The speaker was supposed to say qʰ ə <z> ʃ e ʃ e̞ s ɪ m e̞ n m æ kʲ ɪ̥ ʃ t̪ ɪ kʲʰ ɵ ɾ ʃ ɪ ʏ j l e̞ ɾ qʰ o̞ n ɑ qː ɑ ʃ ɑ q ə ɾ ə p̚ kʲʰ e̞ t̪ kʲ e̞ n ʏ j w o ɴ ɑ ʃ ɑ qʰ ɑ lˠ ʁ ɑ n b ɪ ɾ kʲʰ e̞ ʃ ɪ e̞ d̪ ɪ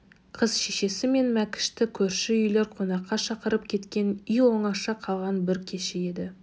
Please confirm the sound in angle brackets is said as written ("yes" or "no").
yes